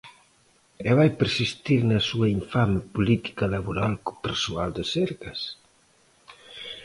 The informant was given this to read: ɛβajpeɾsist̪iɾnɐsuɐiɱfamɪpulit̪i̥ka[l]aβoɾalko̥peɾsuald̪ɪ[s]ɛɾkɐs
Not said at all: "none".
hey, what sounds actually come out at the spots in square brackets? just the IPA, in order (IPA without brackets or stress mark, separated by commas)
l, s